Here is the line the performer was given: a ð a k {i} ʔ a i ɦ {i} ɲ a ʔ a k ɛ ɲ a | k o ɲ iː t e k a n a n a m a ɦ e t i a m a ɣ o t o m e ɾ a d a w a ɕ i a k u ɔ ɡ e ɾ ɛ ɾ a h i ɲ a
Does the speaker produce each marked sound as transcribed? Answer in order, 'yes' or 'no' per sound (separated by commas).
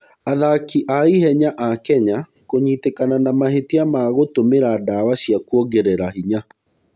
yes, no